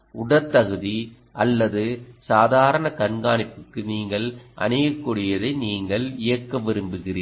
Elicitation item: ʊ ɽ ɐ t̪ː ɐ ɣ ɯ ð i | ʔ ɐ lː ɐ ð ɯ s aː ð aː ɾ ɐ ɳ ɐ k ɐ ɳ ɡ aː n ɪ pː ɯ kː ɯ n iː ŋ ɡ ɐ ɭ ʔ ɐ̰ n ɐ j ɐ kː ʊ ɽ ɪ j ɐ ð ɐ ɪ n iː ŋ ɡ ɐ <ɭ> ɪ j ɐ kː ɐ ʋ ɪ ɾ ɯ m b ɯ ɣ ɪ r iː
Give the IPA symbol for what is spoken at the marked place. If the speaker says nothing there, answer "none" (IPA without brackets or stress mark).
ɭ